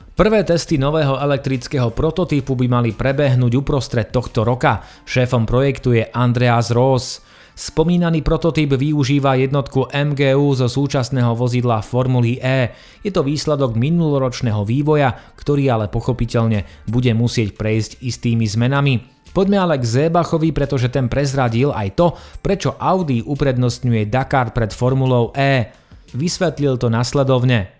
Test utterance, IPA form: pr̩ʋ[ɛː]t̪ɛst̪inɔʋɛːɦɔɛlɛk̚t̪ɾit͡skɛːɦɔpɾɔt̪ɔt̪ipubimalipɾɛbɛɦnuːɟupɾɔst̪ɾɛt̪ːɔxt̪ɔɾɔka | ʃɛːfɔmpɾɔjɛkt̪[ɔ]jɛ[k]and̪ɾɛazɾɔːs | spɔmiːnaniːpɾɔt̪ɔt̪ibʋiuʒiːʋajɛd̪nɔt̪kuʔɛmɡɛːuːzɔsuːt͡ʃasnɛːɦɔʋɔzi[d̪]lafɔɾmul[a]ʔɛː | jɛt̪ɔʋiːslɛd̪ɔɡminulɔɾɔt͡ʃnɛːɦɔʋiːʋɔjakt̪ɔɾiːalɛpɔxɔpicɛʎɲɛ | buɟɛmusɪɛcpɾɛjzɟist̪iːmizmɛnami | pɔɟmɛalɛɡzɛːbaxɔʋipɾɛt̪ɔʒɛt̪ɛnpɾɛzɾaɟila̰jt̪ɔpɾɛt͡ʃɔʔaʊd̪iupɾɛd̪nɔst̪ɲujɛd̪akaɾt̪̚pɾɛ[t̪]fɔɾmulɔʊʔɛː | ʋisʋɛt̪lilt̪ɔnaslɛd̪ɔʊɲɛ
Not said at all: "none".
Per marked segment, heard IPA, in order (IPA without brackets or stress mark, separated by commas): ɛː, u, ʔ, d̪, i, t̪